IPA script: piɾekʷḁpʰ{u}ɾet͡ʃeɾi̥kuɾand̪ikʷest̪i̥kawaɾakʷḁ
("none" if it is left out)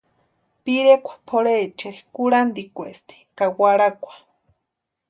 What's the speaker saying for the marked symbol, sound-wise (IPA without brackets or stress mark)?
o